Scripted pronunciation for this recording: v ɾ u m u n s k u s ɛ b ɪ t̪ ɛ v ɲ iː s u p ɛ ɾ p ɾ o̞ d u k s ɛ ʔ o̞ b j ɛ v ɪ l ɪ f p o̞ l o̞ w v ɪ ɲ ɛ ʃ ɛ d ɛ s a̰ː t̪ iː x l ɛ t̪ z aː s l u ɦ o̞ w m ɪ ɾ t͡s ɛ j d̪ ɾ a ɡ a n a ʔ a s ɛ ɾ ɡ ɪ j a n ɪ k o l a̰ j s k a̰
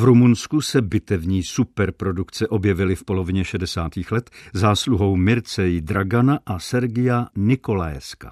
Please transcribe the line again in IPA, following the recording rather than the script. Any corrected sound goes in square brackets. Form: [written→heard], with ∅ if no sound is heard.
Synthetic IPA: v ɾ u m u n s k u s ɛ b ɪ t̪ ɛ v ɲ iː s u p ɛ ɾ p ɾ o̞ d u k [s→t͡s] ɛ ʔ o̞ b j ɛ v ɪ l ɪ f p o̞ l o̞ [w→∅] v ɪ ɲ ɛ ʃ ɛ d ɛ s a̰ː t̪ iː x l ɛ t̪ z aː s l u ɦ o̞ w m ɪ ɾ t͡s ɛ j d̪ ɾ a ɡ a n a ʔ a s ɛ ɾ ɡ ɪ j a n ɪ k o l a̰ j s k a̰